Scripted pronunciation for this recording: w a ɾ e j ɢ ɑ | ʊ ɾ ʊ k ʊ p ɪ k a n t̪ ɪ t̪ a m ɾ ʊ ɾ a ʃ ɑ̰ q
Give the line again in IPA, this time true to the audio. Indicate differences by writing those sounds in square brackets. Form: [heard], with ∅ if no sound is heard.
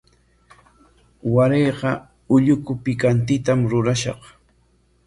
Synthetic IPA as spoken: w a ɾ e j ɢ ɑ | ʊ [ʎ] ʊ k ʊ p ɪ k a n t̪ ɪ t̪ a m ɾ ʊ ɾ a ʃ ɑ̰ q